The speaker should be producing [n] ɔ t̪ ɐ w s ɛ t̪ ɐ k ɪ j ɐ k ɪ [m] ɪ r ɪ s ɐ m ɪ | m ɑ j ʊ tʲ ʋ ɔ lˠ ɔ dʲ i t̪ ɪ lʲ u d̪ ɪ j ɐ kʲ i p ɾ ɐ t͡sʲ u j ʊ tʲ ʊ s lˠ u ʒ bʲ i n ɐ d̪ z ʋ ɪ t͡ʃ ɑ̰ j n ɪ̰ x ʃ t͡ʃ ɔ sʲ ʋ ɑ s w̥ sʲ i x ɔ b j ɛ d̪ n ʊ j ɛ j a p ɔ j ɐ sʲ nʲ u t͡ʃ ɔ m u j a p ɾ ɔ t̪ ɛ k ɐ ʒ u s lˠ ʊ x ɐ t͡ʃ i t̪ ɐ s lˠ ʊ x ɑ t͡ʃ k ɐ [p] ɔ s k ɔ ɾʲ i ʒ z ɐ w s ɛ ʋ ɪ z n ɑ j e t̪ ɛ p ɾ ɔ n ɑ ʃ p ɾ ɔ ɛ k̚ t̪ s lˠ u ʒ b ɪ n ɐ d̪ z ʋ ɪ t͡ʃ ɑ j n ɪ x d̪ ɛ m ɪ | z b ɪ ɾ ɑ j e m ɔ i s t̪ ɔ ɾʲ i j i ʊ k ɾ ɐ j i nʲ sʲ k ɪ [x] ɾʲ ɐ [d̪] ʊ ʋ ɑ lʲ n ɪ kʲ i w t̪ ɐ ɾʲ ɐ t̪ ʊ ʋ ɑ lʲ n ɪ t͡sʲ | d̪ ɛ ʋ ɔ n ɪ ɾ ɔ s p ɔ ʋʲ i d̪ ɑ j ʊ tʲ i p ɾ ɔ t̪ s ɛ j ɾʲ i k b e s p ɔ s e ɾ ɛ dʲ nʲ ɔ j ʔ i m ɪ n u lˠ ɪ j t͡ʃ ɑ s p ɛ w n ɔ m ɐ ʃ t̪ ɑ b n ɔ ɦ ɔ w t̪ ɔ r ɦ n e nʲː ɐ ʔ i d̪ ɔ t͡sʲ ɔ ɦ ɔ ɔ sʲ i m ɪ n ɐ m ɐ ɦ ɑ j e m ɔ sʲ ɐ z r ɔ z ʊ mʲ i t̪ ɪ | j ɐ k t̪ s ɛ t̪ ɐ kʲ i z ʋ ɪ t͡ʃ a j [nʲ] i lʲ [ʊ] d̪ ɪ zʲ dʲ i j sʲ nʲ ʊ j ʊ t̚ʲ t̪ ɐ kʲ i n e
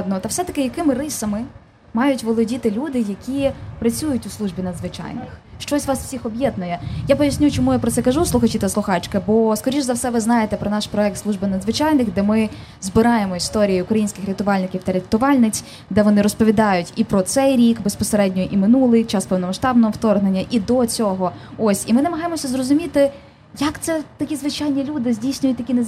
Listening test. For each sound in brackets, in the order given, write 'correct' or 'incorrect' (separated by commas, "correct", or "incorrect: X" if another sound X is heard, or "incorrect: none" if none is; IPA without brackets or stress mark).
correct, correct, incorrect: b, correct, incorrect: t̪, correct, incorrect: u